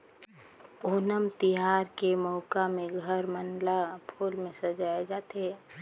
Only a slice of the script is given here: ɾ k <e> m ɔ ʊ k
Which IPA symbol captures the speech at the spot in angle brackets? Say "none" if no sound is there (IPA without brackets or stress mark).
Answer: e